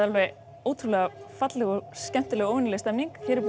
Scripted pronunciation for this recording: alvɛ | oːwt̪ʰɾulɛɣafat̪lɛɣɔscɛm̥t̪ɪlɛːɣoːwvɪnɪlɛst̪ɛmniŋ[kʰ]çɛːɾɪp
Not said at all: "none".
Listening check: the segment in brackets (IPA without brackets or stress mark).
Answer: k